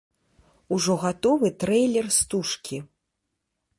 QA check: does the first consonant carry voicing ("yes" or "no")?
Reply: yes